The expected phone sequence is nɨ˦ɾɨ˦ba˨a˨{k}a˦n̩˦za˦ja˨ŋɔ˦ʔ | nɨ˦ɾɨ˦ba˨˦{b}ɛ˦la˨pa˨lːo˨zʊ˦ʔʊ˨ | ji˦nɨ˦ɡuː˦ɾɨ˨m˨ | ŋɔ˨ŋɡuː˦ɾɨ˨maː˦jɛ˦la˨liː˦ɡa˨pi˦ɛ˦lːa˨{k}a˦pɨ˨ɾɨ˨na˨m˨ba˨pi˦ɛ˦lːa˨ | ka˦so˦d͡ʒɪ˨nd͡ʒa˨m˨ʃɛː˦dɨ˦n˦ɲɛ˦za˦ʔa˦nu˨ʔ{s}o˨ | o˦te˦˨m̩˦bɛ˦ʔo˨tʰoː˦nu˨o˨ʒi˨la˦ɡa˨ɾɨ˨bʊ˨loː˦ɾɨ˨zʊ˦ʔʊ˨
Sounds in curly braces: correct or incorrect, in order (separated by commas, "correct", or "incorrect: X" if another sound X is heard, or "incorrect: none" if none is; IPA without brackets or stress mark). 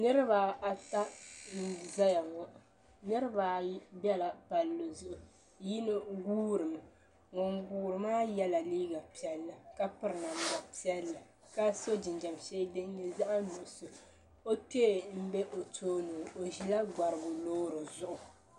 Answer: incorrect: t, correct, correct, correct